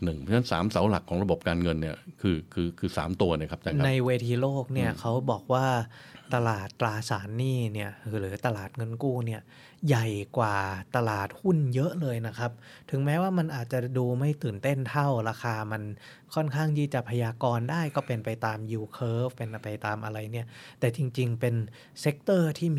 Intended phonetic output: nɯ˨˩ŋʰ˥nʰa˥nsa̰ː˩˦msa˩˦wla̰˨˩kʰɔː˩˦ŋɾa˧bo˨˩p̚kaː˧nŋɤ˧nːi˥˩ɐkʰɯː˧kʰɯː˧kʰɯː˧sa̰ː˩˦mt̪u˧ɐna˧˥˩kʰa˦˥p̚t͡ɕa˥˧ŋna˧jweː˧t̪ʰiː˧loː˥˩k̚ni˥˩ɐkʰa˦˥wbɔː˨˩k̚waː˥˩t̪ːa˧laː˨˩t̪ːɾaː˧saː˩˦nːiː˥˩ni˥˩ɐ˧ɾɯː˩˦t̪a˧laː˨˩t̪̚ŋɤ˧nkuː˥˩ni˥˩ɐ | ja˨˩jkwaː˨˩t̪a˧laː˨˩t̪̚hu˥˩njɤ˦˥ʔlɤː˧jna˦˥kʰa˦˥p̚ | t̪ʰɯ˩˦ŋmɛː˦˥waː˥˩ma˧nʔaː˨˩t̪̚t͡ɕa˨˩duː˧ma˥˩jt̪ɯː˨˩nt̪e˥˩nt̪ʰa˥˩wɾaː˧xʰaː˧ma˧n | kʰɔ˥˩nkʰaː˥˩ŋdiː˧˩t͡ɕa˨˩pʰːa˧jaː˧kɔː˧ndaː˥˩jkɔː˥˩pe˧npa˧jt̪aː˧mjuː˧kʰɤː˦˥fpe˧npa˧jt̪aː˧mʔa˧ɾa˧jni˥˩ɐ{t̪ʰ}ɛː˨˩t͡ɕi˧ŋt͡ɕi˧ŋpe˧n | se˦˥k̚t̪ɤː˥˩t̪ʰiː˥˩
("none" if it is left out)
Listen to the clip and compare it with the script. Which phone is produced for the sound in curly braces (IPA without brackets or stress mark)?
t̪